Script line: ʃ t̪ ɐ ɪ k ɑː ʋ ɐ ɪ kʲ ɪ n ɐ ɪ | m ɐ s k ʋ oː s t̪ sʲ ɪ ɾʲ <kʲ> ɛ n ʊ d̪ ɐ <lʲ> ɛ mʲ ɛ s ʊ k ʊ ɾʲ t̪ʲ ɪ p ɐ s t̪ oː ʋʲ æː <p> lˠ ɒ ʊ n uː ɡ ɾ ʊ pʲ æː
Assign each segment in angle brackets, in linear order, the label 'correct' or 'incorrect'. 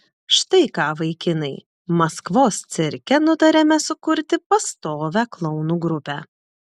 correct, incorrect: ɾʲ, incorrect: k

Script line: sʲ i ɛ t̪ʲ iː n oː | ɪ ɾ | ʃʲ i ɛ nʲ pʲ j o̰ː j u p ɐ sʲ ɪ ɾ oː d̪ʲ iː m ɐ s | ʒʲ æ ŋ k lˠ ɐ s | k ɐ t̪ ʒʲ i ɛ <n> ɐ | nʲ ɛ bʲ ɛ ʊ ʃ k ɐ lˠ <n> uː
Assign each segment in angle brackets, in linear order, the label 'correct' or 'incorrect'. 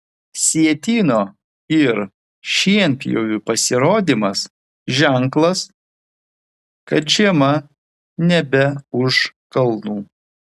incorrect: m, correct

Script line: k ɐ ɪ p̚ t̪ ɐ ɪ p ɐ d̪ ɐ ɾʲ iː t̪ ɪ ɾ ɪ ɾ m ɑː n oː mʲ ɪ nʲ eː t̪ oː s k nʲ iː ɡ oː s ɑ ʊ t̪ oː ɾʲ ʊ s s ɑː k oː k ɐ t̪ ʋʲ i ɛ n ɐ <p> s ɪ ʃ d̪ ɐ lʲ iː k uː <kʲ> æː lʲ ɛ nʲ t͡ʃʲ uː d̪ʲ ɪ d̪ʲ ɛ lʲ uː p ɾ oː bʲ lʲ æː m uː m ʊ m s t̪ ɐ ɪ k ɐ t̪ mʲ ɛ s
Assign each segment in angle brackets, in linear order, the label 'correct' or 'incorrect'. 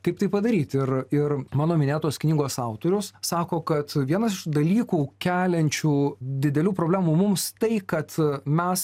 incorrect: none, correct

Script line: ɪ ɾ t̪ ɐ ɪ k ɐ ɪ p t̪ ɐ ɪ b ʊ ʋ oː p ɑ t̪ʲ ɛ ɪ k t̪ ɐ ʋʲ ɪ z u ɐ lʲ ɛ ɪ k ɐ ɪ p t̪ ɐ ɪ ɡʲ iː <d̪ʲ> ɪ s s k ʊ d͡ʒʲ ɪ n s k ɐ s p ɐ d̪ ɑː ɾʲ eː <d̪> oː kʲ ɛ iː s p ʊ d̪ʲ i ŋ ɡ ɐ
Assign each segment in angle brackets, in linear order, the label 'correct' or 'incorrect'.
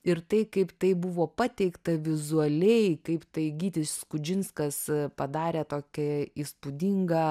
incorrect: t̪ʲ, incorrect: t̪

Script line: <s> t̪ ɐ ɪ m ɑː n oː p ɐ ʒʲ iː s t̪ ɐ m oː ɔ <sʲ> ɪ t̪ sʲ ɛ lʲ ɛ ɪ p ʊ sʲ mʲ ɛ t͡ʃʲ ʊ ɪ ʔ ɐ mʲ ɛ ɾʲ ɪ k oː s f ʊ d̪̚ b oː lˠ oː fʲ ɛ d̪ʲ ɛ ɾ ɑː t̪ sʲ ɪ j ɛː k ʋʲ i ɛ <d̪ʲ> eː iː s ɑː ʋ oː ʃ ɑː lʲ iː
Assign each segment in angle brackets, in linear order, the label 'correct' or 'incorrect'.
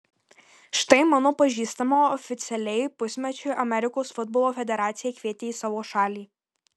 incorrect: ʃ, incorrect: fʲ, incorrect: t̪ʲ

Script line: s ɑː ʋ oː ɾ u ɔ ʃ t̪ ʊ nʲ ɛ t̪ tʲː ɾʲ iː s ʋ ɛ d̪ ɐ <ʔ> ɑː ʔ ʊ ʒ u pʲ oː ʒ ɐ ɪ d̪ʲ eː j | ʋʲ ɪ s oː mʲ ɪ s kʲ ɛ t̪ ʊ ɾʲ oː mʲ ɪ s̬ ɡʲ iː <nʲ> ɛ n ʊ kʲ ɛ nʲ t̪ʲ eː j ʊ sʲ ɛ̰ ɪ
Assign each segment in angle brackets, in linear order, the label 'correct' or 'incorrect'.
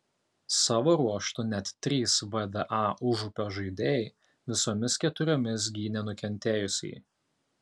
correct, correct

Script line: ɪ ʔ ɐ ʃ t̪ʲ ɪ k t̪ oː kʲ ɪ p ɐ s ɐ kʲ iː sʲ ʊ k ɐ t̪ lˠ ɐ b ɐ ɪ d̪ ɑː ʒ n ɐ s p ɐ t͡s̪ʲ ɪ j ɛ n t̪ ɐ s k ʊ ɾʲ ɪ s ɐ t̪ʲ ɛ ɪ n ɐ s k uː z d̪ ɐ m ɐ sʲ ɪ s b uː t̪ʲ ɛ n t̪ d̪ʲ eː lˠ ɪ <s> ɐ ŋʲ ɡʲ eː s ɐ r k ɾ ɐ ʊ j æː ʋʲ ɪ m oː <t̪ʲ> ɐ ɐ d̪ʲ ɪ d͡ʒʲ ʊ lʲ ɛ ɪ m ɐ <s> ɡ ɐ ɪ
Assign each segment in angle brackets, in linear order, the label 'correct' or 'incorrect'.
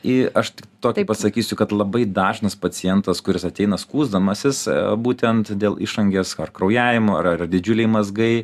incorrect: ʃ, incorrect: none, incorrect: z

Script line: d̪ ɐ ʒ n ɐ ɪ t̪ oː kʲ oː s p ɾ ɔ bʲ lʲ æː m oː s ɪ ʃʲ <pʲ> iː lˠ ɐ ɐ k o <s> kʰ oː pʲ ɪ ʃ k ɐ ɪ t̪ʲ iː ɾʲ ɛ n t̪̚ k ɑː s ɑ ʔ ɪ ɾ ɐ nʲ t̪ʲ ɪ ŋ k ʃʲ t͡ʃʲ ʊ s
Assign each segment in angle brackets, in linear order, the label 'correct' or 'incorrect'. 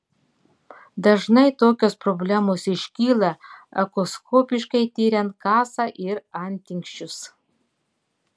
incorrect: kʲ, correct

